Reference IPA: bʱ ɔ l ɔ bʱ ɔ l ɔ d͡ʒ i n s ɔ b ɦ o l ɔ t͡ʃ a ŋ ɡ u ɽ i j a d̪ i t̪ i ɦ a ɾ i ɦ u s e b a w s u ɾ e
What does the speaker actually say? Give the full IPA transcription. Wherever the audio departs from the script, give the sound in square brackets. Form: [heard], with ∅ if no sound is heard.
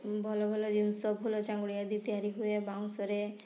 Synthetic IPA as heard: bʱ ɔ l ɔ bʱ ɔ l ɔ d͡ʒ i n s ɔ b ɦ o l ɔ t͡ʃ a ŋ ɡ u ɽ i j a d̪ i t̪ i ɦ a ɾ i ɦ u [∅] e b a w s [ɔ] ɾ e